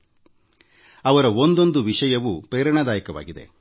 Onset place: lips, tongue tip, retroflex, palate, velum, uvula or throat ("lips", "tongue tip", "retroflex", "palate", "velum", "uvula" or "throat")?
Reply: lips